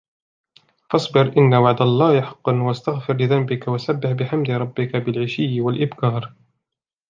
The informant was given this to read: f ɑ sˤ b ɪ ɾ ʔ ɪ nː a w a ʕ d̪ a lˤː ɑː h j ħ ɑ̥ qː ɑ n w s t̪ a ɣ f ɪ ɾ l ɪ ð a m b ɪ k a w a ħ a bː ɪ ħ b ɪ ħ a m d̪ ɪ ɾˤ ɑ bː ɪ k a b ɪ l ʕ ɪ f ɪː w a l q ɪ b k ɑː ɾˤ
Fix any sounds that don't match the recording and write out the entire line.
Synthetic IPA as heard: f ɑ sˤ b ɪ ɾ ʔ ɪ nː a w a ʕ d̪ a lˤː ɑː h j ħ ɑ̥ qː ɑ n w s t̪ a ɣ f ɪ ɾ l ɪ ð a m b ɪ k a w a s a bː ɪ ħ b ɪ ħ a m d̪ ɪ ɾˤ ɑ bː ɪ k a b ɪ l ʕ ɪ ʃ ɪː w a l ʔ ɪ b k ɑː ɾˤ

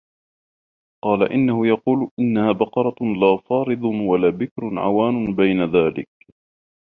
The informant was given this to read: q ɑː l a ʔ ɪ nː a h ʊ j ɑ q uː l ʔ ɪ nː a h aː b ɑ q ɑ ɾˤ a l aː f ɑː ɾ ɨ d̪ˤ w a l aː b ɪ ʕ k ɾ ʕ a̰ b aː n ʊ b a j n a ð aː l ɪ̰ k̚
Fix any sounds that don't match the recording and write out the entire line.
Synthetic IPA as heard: q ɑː l a ʔ ɪ nː a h ʊ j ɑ q uː l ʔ ɪ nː a h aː b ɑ q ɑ ɾˤ ɑ l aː f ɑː ɾ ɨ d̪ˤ w a l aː b ɪ k ɾ ʕ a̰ w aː n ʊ b a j n a ð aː l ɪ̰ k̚

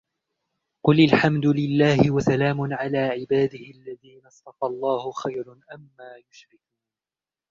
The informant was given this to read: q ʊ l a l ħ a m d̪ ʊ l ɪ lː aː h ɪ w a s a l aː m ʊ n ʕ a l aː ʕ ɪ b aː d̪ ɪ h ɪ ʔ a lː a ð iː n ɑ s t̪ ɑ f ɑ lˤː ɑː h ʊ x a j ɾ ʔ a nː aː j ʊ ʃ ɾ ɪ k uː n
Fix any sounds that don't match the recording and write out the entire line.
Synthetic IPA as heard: q ʊ l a l ħ a m d̪ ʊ l ɪ lː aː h ɪ w a s a l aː m ʊ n ʕ a l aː ʕ ɪ b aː d̪ ɪ h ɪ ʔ a lː a ð iː n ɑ s t̪ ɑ f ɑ lˤː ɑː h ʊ x a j ɾ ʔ a mː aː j ʊ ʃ ɾ ɪ k uː n

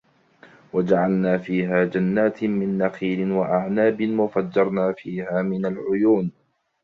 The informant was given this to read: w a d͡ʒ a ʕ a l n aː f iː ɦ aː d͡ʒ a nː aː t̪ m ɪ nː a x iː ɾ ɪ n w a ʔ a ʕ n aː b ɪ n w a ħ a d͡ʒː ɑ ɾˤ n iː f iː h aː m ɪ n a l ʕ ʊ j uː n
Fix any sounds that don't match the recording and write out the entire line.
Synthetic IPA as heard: w a d͡ʒ a ʕ a l n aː f iː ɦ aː d͡ʒ a nː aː t̪ m ɪ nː a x iː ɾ ɪ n w a ʔ a ʕ n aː b ɪ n w a f a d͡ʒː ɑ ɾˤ n aː f iː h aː m ɪ n a l ʕ ʊ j uː n

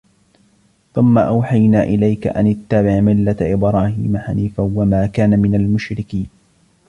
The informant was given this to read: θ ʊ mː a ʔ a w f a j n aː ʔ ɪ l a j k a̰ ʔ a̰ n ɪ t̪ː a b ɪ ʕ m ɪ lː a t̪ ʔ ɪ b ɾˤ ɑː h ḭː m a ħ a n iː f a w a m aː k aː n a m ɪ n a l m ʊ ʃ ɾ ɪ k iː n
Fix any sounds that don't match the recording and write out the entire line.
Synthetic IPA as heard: θ ʊ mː a ʔ a w ħ a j n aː ʔ ɪ l a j k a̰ ʔ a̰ n ɪ t̪ː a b ɪ ʕ m ɪ lː a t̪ ʔ ɪ b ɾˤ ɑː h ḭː m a ħ a n iː f a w a m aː k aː n a m ɪ n a l m ʊ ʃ ɾ ɪ k iː n

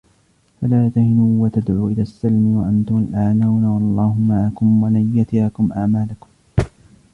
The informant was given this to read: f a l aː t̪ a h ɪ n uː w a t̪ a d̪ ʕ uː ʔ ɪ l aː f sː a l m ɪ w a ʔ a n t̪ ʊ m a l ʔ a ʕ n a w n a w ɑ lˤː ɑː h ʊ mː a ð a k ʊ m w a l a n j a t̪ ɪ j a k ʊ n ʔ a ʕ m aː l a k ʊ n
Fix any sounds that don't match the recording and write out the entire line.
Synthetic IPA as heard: f a l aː t̪ a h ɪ n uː w a t̪ a d̪ ʕ uː ʔ ɪ l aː sː a l m ɪ w a ʔ a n t̪ ʊ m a l ʔ a ʕ n a w n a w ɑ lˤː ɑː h ʊ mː a ʕ a k ʊ m w a l a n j a t̪ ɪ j a k ʊ m ʔ a ʕ m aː l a k ʊ m

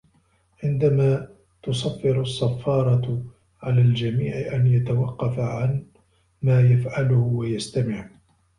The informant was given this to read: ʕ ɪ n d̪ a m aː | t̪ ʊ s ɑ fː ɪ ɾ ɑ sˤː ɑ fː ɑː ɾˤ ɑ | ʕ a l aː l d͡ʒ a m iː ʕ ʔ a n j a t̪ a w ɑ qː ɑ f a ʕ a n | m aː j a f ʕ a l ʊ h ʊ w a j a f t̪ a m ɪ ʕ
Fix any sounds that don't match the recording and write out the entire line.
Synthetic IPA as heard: ʕ ɪ n d̪ a m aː | t̪ ʊ s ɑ fː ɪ ɾ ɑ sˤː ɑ fː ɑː ɾˤ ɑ | ʕ a l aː l d͡ʒ a m iː ʕ ʔ a n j a t̪ a w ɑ qː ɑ f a ʕ a n | m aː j a f ʕ a l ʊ h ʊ w a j a s t̪ a m ɪ ʕ

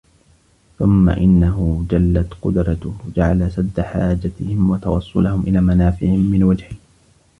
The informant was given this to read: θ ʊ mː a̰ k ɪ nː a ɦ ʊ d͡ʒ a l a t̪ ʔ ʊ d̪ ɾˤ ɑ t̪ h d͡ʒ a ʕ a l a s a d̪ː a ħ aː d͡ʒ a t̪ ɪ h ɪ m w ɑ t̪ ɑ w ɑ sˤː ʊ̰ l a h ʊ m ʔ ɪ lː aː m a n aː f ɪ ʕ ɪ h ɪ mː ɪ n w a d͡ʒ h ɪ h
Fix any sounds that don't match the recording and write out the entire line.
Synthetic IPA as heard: θ ʊ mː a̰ ʔ ɪ nː a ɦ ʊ d͡ʒ a lː a t̪ q ʊ d̪ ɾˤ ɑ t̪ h d͡ʒ a ʕ a l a s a d̪ː a ħ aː d͡ʒ a t̪ ɪ h ɪ m w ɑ t̪ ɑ w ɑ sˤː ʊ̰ l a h ʊ m ʔ ɪ l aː m a n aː f ɪ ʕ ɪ h ɪ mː ɪ n w a d͡ʒ h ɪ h

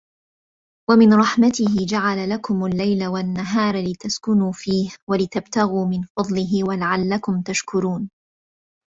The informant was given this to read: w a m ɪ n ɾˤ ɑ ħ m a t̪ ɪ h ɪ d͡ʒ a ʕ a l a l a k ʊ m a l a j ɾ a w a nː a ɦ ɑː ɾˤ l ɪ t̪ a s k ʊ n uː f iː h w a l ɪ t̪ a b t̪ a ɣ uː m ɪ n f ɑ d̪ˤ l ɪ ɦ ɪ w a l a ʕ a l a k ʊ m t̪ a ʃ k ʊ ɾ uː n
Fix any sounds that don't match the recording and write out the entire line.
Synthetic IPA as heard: w a m ɪ n ɾˤ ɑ ħ m a t̪ ɪ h ɪ d͡ʒ a ʕ a l a l a k ʊ m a lː a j l a w a nː a ɦ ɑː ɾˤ l ɪ t̪ a s k ʊ n uː f iː h w a l ɪ t̪ a b t̪ a ɣ uː m ɪ n f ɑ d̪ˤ l ɪ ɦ ɪ w a l a ʕ a lː a k ʊ m t̪ a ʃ k ʊ ɾ uː n

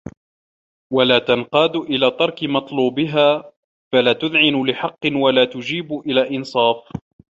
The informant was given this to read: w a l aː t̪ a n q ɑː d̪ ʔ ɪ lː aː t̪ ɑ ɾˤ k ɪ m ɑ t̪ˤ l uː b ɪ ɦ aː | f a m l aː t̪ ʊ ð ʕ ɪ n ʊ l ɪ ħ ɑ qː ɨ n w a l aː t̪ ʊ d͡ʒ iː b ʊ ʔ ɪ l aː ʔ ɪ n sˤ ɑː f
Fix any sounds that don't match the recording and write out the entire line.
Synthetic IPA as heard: w a l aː t̪ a n q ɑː d̪ ʔ ɪ l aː t̪ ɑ ɾˤ k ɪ m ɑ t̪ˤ l uː b ɪ ɦ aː | f a l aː t̪ ʊ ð ʕ ɪ n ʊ l ɪ ħ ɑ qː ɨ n w a l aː t̪ ʊ d͡ʒ iː b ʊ ʔ ɪ l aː ʔ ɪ n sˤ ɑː f

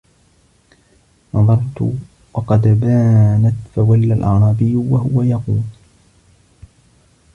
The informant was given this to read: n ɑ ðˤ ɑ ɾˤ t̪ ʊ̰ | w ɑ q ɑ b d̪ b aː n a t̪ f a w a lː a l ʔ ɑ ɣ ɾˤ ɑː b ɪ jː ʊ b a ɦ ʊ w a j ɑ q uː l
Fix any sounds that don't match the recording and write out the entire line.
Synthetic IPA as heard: n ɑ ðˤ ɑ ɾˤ t̪ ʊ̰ | w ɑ q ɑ d̪ b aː n a t̪ f a w a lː a l ʔ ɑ ʕ ɾˤ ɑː b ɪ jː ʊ w a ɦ ʊ w a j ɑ q uː l

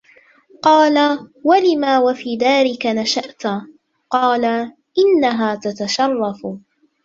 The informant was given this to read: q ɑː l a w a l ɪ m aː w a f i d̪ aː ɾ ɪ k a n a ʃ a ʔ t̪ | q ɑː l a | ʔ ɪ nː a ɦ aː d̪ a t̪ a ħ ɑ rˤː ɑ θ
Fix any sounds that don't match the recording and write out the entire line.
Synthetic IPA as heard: q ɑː l a w a l ɪ m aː w a f iː d̪ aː ɾ ɪ k a n a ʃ a ʔ t̪ | q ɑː l a | ʔ ɪ nː a ɦ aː t̪ a t̪ a ʃ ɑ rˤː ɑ f

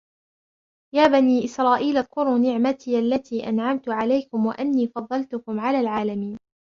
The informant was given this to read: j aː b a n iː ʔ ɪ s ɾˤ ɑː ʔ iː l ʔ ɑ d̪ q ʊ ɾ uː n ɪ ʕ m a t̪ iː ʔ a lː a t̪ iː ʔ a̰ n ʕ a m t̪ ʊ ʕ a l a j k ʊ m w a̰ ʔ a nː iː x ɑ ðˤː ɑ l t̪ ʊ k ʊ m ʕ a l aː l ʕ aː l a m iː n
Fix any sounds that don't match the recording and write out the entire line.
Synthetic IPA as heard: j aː b a n iː ʔ ɪ s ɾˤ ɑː ʔ iː l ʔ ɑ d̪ q ʊ ɾ uː n ɪ ʕ m a t̪ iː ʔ a lː a t̪ iː ʔ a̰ n ʕ a m t̪ ʊ ʕ a l a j k ʊ m w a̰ ʔ a nː iː f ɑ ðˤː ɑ l t̪ ʊ k ʊ m ʕ a l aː l ʕ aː l a m iː n

